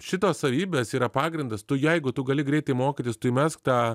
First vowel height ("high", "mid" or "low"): high